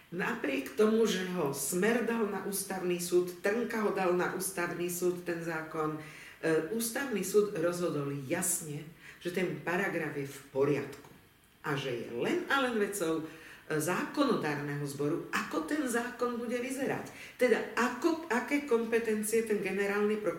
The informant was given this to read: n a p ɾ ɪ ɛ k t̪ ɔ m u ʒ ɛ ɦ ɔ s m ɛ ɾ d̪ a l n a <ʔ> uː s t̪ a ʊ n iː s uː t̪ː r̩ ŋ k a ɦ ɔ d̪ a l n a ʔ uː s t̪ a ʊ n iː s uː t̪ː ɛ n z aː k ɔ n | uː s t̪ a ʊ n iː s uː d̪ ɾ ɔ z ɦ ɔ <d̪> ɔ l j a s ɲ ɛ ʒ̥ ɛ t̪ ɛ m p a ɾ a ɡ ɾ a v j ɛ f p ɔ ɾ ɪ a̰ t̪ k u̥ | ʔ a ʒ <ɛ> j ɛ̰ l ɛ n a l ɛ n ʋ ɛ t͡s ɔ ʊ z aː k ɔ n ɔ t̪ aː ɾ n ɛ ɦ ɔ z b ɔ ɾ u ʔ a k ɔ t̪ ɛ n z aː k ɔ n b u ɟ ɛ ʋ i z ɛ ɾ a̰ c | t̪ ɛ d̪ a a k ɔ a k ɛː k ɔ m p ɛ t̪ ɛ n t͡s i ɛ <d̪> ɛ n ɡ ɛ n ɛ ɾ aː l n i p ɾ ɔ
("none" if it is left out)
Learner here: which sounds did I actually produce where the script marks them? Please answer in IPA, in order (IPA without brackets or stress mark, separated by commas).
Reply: ʔ, d̪, ɛ, t̪